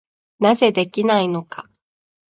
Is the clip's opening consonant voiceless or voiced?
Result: voiced